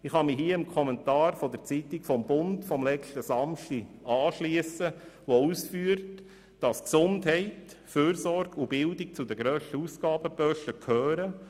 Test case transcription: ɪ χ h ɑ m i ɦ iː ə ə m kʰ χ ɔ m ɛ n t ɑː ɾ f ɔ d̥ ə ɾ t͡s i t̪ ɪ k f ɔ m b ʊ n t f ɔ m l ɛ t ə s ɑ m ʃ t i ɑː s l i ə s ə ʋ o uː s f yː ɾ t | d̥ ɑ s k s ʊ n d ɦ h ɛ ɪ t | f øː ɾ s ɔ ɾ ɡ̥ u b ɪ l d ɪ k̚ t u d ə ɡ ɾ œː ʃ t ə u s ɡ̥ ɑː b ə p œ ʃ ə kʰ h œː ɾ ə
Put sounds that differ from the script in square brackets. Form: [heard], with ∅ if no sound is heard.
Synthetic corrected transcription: ɪ χ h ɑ m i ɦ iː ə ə m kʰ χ ɔ m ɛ n t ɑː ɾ f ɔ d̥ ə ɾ t͡s i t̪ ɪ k f ɔ m b ʊ n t f ɔ m l ɛ t ə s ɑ m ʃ t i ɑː [ʃ] l i ə s ə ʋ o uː s f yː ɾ t | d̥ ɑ s k s ʊ n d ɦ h ɛ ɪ t | f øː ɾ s ɔ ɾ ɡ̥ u b ɪ l d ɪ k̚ [t͡s] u d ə ɡ ɾ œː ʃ t ə u s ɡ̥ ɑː b ə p œ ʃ ə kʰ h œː ɾ ə

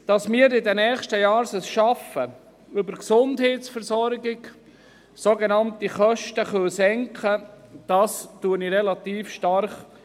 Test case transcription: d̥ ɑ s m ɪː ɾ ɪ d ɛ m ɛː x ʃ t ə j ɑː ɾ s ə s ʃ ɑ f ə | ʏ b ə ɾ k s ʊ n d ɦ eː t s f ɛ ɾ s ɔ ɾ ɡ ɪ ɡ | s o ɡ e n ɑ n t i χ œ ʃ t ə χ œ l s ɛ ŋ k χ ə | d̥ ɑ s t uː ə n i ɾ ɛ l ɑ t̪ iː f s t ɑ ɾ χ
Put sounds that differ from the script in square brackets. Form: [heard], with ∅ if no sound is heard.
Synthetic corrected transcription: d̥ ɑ s m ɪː ɾ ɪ d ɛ [n] ɛː [χ] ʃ t ə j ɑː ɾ s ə s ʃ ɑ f ə | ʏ b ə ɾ k s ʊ n d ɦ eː t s f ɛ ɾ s ɔ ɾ ɡ ɪ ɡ | s o ɡ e n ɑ n t i χ œ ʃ t ə χ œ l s ɛ ŋ k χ ə | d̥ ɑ s t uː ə n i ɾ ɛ l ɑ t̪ iː f [ʃ] t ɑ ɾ χ

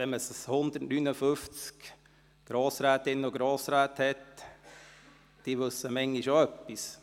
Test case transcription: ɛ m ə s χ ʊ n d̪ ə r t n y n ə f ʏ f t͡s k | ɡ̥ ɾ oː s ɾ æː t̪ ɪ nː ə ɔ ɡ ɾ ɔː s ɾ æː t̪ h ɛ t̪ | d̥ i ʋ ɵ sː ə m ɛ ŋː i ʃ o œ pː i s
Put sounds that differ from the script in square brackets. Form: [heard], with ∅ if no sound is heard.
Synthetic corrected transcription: ɛ m ə s [h] ʊ n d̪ ə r t n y n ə f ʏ f t͡s k | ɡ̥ ɾ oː s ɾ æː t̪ ɪ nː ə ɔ ɡ ɾ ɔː s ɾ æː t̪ h ɛ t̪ | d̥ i ʋ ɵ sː ə m ɛ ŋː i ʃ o œ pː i s

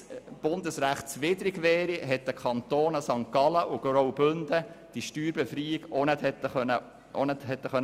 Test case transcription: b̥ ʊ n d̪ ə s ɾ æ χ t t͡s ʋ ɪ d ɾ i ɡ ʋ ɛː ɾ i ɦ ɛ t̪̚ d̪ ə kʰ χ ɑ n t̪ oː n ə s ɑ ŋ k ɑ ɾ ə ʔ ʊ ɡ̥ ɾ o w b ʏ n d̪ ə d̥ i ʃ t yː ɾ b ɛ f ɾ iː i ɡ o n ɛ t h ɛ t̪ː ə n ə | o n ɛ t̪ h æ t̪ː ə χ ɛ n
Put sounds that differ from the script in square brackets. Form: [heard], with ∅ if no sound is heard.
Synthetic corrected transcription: b̥ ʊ n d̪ ə s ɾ æ χ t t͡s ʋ ɪ d ɾ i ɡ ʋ ɛː ɾ i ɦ ɛ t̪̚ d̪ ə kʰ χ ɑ n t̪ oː n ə s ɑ ŋ k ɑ [l] ə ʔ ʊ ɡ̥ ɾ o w b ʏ n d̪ ə d̥ i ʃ t yː ɾ b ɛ f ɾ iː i ɡ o n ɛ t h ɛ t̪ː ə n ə | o n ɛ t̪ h [ɛ] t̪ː ə χ [œ] n

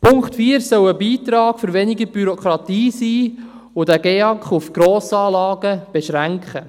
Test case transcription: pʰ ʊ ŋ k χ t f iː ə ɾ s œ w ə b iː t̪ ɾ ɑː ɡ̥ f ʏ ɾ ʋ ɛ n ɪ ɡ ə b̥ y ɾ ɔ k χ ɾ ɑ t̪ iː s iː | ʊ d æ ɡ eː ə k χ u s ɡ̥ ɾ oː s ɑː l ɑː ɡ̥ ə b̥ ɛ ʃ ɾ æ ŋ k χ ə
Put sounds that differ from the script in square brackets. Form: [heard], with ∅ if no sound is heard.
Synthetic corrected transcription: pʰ ʊ ŋ k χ t f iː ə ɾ s œ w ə b iː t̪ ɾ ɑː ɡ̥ f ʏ ɾ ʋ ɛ n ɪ ɡ ə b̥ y ɾ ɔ k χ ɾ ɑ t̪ iː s iː | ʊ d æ ɡ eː [ɑ] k χ u [f] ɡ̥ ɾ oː s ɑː l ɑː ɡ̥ ə b̥ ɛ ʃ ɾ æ ŋ k χ ə

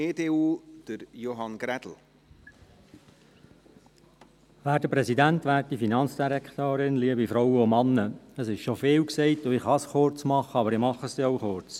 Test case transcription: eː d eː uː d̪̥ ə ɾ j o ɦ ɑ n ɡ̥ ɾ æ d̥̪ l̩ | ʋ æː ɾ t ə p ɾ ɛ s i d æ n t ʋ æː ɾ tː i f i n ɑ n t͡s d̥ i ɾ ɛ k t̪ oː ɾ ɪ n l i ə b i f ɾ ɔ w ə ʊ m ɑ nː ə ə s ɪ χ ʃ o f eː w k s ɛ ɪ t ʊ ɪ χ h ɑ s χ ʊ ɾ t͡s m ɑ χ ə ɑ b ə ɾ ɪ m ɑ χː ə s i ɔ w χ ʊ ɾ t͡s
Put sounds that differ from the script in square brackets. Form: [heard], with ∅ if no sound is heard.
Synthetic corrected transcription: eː d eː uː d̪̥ ə ɾ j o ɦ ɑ n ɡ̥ ɾ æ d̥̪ l̩ | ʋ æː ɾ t ə p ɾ ɛ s i d æ n t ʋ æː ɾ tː i f i n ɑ n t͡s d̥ i ɾ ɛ k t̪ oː ɾ ɪ n l i ə b i f ɾ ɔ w ə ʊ m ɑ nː ə ə s ɪ [ʃ] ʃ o f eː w k s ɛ ɪ t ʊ ɪ χ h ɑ s χ ʊ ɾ t͡s m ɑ χ ə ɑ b ə ɾ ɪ m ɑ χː ə s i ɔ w χ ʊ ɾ t͡s

